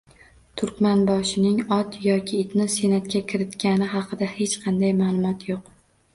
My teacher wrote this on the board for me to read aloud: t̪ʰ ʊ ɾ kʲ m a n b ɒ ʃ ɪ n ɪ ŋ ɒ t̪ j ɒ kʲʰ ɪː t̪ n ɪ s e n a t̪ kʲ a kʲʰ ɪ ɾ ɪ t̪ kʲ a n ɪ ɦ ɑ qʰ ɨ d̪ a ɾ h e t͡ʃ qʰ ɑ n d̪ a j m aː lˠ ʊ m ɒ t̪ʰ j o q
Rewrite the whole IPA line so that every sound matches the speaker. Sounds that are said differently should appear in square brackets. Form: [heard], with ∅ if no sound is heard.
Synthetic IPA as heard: t̪ʰ ʊ ɾ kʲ m a n b ɒ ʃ ɪ n ɪ ŋ ɒ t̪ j ɒ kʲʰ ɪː t̪ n ɪ s e n a t̪ kʲ a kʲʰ ɪ ɾ ɪ t̪ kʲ a n ɪ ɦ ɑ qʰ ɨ d̪ a [∅] h e t͡ʃ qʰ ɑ n d̪ a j m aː lˠ ʊ m ɒ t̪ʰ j o q

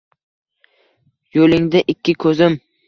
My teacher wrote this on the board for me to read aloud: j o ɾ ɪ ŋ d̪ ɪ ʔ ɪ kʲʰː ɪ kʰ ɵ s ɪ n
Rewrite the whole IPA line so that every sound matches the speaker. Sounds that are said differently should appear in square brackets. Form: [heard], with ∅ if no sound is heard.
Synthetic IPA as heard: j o [l] ɪ ŋ d̪ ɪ ʔ ɪ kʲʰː ɪ kʰ ɵ [z] ɪ [m]

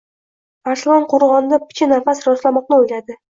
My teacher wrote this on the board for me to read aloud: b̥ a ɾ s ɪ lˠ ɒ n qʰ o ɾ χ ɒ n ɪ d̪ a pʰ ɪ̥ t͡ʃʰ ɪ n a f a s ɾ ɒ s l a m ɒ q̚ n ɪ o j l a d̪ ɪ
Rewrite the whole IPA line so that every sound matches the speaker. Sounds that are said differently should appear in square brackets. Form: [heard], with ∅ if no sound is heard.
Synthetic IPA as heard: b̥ a ɾ s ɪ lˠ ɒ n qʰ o ɾ [ʁ] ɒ n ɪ d̪ a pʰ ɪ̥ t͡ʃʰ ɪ n a f a s ɾ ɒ s l a m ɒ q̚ n ɪ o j l a d̪ ɪ

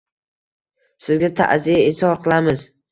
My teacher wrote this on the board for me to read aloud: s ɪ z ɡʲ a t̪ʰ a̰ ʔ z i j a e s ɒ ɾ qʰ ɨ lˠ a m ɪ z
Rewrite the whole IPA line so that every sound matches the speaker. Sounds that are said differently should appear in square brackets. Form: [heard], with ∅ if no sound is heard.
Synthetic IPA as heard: s ɪ z ɡʲ a t̪ʰ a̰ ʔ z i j a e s ɒ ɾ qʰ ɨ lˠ a m ɪ z

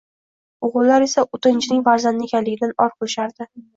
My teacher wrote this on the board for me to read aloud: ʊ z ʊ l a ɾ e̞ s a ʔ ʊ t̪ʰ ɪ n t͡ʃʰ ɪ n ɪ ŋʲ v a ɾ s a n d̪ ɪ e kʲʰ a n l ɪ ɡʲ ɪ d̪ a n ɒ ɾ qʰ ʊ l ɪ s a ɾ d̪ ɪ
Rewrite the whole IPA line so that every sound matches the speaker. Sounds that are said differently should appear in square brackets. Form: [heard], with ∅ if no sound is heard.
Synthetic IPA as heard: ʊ [ʁ] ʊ l a ɾ e̞ s a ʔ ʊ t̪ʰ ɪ n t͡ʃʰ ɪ n ɪ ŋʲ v a ɾ [z] a n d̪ ɪ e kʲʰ a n l ɪ ɡʲ ɪ d̪ a n ɒ ɾ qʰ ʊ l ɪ [ʃ] a ɾ d̪ ɪ

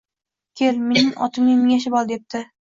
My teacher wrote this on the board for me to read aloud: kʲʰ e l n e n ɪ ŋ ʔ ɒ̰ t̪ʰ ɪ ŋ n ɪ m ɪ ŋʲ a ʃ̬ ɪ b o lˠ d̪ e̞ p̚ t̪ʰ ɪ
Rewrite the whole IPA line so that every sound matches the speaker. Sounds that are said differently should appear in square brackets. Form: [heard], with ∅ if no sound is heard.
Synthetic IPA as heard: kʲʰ e l [m] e n ɪ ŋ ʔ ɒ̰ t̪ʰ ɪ [m] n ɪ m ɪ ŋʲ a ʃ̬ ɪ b [ɒ] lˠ d̪ e̞ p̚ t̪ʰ ɪ

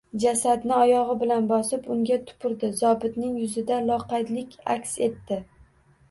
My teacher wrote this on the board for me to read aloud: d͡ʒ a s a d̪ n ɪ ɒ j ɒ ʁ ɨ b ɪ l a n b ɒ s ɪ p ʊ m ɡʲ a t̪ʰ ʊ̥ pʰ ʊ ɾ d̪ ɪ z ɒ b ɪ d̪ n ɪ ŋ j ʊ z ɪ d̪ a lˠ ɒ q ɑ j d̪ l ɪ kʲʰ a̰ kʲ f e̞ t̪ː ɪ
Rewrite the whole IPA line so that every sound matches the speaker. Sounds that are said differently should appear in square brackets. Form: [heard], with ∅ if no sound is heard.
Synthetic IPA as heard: d͡ʒ a s a d̪ n ɪ ɒ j ɒ ʁ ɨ b ɪ l a n b ɒ s ɪ p ʊ [ŋ] ɡʲ a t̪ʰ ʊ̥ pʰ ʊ ɾ d̪ ɪ z ɒ b ɪ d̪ n ɪ ŋ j ʊ z ɪ d̪ a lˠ ɒ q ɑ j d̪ l ɪ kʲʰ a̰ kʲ [s] e̞ t̪ː ɪ

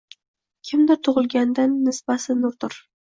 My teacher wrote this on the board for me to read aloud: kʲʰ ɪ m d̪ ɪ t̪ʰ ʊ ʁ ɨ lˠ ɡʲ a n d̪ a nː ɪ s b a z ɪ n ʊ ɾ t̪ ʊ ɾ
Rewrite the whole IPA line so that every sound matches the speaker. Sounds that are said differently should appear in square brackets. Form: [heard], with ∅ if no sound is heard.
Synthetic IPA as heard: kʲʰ ɪ m d̪ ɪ t̪ʰ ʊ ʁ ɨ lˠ ɡʲ a n d̪ a nː ɪ s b a [s] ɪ n ʊ ɾ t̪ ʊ ɾ

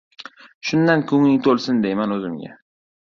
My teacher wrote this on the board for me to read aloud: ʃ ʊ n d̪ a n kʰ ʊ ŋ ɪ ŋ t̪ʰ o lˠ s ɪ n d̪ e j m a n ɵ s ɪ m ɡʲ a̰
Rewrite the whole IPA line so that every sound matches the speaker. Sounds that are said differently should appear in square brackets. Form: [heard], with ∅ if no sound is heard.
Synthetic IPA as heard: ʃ ʊ n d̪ a n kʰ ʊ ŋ ɪ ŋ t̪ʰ o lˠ s ɪ n d̪ e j m a n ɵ [z] ɪ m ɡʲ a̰

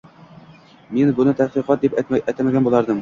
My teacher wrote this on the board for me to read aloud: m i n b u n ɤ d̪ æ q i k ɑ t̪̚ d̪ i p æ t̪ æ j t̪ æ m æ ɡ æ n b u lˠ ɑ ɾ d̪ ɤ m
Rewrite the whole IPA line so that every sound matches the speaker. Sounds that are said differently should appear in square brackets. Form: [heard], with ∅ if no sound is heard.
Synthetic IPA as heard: m i n b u n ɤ [t̪] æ q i [q] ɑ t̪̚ d̪ i p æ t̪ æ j t̪ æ m æ ɡ æ n b u lˠ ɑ ɾ d̪ ɤ m

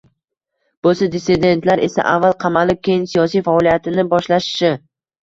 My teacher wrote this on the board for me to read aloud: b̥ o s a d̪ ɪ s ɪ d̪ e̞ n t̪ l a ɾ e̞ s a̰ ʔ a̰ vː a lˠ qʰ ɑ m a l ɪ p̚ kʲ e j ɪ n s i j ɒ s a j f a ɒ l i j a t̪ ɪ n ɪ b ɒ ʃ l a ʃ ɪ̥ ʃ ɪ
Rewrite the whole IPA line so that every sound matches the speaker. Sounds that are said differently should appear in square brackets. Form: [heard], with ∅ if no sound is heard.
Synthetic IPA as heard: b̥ o s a d̪ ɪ s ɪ d̪ e̞ n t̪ l a ɾ e̞ s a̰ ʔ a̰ vː a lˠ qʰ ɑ m a l ɪ p̚ kʲ e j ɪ n s i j ɒ s [i] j f a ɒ l i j a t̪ ɪ n ɪ b ɒ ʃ l a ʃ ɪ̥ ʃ ɪ

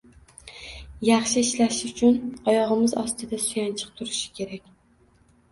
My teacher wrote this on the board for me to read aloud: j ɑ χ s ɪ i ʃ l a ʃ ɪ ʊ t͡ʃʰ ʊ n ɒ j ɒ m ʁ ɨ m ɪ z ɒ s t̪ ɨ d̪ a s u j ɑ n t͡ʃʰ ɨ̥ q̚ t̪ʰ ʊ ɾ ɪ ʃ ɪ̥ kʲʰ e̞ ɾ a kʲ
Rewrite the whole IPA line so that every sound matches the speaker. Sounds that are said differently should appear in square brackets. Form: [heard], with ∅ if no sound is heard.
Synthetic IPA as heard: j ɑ χ [ʃ] ɪ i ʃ l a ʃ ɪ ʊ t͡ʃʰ ʊ n ɒ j ɒ [∅] ʁ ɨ m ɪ z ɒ s t̪ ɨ d̪ a s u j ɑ n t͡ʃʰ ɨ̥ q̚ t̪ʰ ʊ ɾ ɪ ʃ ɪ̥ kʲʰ e̞ ɾ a kʲ

